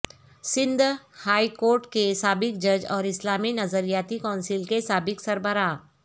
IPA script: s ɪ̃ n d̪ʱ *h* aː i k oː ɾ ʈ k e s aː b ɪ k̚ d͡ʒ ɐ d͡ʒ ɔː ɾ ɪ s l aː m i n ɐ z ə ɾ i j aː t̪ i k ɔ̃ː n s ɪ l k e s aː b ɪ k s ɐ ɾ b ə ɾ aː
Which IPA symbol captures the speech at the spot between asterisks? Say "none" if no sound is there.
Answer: h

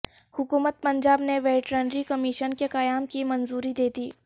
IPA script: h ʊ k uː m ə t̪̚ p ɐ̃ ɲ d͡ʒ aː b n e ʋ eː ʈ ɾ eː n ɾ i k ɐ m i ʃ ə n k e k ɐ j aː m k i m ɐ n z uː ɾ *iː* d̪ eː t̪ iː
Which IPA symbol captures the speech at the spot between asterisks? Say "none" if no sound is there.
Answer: i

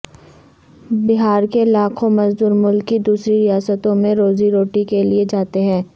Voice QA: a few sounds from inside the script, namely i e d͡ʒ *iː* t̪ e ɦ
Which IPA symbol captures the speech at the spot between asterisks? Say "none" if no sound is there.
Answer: aː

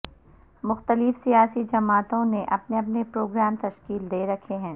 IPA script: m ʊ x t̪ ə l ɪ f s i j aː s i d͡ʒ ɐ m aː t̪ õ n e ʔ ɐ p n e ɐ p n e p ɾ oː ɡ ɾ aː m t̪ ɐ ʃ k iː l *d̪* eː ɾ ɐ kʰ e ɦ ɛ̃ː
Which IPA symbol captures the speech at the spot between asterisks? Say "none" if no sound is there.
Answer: d̪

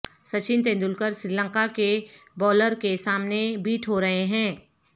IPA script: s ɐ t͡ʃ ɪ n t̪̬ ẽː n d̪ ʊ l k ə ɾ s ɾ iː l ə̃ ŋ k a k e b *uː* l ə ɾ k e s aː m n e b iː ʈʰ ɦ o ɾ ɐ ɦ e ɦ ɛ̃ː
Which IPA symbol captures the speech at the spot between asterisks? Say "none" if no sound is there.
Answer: ɔː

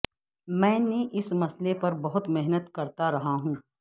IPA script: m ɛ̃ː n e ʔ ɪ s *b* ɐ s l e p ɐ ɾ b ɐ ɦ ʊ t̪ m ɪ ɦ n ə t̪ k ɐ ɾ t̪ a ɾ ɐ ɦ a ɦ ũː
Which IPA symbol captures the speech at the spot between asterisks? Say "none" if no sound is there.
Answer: m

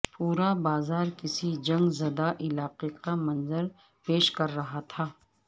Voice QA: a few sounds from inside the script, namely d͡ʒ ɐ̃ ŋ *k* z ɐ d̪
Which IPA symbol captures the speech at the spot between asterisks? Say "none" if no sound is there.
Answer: ɡ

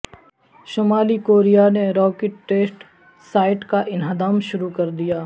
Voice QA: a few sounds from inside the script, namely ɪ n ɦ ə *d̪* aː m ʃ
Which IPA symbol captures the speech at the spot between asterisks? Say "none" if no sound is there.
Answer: d̪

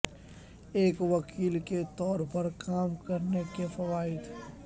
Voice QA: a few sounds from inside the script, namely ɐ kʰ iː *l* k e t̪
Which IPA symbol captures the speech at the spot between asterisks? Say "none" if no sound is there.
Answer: l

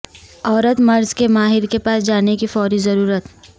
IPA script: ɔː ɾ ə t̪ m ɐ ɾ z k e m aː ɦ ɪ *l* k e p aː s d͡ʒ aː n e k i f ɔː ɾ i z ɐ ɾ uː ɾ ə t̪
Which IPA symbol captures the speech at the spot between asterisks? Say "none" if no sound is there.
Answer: ɾ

